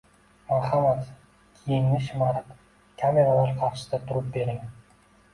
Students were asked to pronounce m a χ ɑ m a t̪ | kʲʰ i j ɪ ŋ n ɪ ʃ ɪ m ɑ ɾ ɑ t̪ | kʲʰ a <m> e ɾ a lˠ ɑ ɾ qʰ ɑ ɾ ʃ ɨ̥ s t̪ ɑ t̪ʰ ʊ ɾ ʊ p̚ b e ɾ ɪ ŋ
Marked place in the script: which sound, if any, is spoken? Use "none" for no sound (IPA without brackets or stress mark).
m